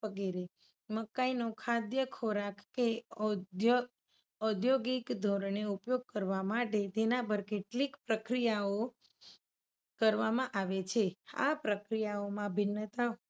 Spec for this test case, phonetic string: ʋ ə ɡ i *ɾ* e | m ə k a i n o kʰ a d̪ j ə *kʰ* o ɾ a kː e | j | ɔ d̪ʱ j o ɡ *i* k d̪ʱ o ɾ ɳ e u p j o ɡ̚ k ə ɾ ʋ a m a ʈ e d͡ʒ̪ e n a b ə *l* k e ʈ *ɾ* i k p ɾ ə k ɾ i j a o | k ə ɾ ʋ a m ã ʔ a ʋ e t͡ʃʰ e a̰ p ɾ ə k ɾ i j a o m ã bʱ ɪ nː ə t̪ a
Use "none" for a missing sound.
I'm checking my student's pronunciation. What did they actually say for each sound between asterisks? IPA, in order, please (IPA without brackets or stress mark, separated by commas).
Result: ɾ, kʰ, i, ɾ, l